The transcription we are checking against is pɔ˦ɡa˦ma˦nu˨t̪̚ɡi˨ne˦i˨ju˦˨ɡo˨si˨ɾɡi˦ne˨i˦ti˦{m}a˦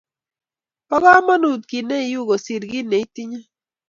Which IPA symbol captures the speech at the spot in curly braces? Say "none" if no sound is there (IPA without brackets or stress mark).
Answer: ɲ